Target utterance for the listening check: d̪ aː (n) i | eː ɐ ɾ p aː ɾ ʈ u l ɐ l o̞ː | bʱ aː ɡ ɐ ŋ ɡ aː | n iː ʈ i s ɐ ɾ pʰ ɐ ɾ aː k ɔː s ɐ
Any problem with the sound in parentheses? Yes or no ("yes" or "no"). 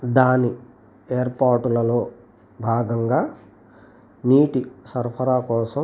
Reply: no